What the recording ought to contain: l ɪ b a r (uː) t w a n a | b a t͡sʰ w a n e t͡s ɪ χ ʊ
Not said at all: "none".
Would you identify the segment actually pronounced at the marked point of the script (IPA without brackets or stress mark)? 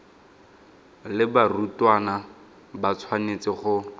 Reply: u